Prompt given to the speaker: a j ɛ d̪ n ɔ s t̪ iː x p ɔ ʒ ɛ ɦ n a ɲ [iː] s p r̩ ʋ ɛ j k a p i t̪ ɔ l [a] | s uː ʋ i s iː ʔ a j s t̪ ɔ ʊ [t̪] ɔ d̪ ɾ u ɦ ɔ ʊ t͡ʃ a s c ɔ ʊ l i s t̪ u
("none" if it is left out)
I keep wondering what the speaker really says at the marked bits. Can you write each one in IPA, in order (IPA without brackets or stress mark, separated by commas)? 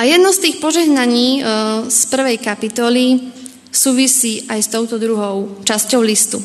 iː, i, t̪